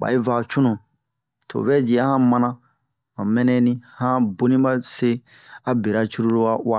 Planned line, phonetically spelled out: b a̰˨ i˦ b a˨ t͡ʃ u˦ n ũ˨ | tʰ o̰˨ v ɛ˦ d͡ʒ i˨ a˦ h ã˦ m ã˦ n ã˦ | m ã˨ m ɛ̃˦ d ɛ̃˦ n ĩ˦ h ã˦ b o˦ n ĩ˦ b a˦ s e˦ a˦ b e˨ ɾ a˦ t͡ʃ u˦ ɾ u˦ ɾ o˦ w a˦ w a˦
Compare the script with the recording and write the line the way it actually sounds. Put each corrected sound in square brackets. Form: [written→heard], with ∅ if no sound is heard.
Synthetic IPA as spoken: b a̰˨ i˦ [b→v] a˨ t͡ʃ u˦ n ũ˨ | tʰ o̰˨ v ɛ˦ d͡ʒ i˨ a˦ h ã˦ m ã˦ n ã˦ | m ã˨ m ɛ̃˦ [d→n] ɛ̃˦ n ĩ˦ h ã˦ b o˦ n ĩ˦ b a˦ s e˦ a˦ b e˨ ɾ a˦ t͡ʃ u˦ ɾ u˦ ɾ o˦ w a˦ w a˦